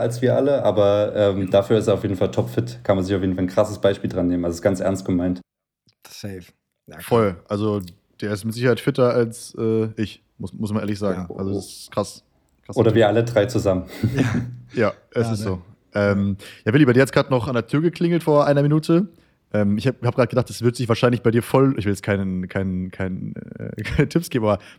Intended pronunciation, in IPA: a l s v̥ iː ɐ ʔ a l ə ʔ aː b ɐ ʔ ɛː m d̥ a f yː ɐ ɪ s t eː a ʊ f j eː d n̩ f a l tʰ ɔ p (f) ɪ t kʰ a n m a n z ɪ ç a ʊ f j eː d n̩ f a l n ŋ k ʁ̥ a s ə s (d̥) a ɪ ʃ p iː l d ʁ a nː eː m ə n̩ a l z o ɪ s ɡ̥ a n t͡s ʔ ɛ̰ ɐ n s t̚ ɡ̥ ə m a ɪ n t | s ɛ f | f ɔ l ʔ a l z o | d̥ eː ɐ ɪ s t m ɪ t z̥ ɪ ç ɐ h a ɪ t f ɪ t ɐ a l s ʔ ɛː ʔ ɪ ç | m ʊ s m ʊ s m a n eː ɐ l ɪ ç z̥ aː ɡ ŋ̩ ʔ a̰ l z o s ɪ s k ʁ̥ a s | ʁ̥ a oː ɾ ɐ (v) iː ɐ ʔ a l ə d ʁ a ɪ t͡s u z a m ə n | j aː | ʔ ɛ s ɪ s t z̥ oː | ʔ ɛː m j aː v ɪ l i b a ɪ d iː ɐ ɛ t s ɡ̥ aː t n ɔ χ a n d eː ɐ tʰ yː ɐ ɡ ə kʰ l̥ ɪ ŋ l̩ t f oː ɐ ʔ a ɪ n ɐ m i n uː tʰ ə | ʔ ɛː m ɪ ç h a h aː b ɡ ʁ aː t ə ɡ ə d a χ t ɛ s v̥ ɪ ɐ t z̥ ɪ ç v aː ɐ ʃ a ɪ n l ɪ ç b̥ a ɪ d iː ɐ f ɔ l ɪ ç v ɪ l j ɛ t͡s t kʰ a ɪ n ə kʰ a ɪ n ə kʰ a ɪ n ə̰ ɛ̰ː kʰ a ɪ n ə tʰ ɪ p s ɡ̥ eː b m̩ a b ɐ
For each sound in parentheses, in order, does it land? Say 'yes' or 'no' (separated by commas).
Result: yes, no, yes